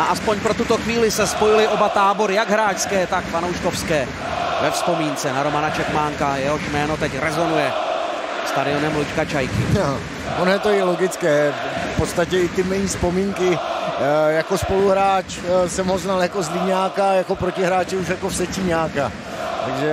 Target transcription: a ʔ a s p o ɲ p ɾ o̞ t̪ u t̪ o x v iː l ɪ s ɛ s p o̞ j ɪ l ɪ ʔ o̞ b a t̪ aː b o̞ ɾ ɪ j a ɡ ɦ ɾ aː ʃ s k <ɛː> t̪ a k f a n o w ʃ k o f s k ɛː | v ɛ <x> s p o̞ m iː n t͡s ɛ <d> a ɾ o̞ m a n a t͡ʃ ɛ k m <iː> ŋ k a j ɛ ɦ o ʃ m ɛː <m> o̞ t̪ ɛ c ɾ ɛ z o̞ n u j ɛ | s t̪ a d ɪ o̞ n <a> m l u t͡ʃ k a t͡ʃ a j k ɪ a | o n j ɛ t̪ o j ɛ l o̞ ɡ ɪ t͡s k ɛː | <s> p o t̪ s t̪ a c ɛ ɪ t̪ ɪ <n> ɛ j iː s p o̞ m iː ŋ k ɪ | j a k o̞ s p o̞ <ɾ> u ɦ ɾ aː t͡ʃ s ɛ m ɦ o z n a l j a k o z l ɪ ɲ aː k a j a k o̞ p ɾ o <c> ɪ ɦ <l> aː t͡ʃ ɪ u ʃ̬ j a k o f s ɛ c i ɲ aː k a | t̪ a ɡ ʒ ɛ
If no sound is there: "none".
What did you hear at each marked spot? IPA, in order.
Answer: ɛː, f, n, aː, n, ɛ, f, m, l, c, ɾ

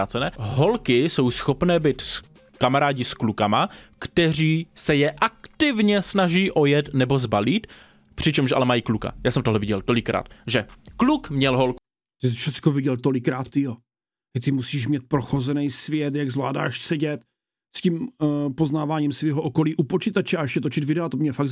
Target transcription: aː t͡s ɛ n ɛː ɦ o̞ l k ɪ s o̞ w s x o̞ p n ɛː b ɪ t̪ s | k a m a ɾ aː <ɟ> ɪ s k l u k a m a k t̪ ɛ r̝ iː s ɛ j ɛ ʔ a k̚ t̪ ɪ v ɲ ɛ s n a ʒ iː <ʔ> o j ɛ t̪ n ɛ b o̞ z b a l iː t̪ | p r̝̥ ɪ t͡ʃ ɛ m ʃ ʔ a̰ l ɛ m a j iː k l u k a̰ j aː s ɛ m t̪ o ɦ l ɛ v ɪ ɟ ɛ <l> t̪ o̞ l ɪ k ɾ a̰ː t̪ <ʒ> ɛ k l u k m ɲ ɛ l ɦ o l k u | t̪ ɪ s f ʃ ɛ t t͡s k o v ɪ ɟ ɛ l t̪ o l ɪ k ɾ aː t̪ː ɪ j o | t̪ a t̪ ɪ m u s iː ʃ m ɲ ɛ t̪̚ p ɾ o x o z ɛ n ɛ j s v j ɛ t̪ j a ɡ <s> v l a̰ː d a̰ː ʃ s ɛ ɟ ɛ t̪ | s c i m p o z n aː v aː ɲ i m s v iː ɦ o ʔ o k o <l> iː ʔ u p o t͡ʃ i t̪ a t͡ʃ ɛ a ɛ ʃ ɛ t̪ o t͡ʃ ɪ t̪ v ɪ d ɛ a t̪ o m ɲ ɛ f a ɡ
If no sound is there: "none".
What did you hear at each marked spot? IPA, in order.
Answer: ɟ, ʔ, l, ʒ, z, l

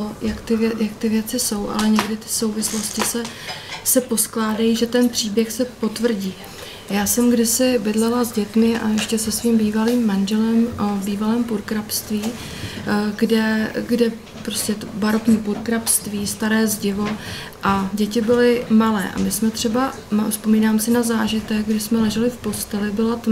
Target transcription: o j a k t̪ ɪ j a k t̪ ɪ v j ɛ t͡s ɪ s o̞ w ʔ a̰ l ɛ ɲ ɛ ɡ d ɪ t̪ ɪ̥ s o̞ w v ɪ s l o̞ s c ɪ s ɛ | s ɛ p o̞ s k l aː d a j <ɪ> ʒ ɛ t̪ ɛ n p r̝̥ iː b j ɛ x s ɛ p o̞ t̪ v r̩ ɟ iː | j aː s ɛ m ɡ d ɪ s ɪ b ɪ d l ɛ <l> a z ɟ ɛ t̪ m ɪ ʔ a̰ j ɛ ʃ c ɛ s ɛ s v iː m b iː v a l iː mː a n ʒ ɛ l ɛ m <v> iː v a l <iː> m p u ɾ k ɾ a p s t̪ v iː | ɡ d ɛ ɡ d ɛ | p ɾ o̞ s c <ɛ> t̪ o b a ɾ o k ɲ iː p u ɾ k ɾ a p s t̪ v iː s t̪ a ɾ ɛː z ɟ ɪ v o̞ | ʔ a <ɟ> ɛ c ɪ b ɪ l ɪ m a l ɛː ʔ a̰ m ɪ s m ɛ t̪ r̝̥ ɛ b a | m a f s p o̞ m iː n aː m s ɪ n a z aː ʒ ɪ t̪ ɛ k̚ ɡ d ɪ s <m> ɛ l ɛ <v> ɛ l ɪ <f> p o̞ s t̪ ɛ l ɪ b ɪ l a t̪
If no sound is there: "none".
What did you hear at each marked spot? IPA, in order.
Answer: i, l, b, ɛː, ɛ, ɟ, m, ʒ, f

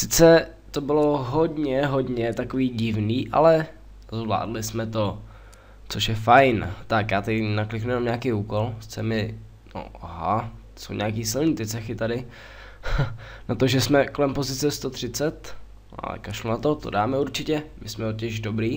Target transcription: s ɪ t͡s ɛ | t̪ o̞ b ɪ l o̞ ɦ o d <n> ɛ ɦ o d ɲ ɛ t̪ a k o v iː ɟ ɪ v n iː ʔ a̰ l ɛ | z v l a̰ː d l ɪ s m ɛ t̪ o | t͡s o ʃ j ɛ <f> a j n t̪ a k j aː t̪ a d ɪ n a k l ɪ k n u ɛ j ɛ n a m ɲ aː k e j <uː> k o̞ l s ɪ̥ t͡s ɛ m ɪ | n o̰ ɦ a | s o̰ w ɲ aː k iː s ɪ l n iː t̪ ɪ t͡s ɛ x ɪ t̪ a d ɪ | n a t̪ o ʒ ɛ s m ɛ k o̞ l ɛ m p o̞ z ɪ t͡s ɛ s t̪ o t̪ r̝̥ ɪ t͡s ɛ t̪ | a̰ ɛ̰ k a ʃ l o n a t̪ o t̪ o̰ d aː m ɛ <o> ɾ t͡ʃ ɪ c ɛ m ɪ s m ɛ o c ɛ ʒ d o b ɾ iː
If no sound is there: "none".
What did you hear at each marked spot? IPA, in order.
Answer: ɲ, f, uː, u

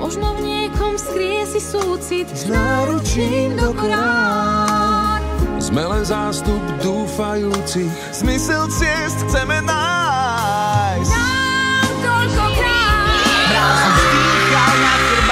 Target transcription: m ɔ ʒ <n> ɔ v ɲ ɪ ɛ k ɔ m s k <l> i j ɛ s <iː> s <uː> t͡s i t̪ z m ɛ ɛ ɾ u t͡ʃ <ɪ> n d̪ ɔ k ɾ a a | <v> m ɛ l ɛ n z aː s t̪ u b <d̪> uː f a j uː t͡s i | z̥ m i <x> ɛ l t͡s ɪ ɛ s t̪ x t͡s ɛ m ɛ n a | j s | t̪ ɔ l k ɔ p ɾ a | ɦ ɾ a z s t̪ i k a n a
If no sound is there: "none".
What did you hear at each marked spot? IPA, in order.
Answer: n, ɾ, i, uː, i, z, d̪, s

